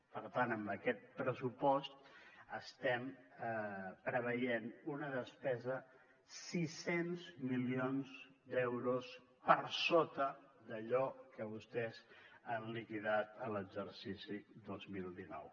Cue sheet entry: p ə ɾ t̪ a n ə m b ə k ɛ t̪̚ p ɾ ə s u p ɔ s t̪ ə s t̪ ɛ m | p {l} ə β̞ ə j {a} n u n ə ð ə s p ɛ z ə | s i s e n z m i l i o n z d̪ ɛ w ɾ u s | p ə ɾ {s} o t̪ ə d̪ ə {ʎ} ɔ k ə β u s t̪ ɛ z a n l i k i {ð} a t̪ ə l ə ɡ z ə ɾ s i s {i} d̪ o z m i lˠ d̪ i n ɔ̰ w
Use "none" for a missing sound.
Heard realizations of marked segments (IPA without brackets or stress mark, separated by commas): ɾ, e, s, ʎ, ð, i